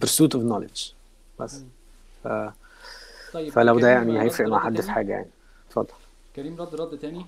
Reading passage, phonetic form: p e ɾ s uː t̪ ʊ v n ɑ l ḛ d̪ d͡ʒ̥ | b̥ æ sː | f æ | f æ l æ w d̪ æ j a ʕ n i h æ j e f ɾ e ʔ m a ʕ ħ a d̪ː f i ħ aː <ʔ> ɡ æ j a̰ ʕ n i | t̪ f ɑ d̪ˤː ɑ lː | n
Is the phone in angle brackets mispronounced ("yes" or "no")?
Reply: yes